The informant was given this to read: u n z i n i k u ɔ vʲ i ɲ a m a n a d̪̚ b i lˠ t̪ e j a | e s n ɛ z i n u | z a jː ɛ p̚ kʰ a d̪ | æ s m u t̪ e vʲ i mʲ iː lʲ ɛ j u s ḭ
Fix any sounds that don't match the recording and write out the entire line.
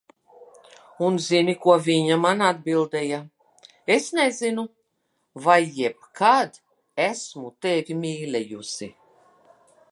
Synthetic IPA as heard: u n z i n i k u ɔ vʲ i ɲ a m a n a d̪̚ b i lˠ d̪ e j a | e s n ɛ z i n u | v a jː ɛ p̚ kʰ a d̪ | æ s m u t̪ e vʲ i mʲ iː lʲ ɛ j u s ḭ